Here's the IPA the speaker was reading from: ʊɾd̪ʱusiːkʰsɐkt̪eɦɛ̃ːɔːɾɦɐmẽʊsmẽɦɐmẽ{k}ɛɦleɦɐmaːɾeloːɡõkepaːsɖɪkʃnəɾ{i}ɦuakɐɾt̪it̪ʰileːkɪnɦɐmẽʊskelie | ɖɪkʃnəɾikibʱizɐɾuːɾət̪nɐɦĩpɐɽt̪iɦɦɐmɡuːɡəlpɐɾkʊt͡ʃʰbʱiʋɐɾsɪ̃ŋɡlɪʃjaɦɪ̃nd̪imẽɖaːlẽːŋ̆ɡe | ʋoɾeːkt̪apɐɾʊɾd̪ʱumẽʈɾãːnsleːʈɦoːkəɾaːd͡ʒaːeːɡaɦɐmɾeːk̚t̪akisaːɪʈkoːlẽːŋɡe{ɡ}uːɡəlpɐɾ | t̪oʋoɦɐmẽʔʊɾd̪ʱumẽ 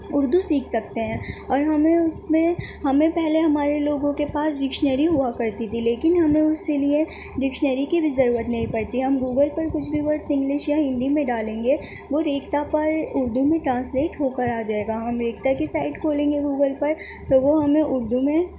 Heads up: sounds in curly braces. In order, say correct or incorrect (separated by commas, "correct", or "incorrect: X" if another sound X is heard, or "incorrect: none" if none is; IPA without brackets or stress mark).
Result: incorrect: p, correct, correct